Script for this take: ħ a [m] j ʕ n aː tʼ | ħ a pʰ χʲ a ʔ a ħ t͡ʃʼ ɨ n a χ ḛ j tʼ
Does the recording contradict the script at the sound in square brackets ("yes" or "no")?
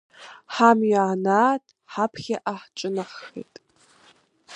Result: no